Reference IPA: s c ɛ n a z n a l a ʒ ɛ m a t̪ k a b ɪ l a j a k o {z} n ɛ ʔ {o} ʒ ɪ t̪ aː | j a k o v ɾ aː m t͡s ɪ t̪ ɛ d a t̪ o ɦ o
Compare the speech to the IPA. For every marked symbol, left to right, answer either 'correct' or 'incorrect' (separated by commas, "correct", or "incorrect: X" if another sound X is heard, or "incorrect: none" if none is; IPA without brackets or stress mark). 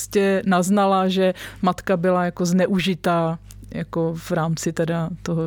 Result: correct, incorrect: u